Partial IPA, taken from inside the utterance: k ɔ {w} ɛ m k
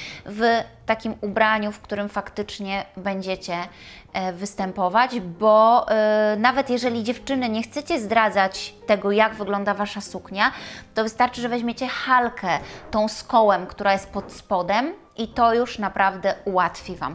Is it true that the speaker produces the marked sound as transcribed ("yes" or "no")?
yes